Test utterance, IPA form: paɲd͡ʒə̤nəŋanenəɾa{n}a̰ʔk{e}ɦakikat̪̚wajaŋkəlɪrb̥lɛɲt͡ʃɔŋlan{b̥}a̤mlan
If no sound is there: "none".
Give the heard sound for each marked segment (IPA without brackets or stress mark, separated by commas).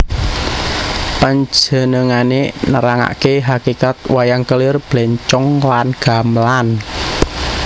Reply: ŋ, e, ɡ̥